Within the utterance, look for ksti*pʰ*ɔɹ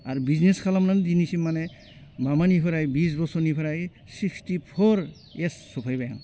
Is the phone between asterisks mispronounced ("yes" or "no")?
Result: no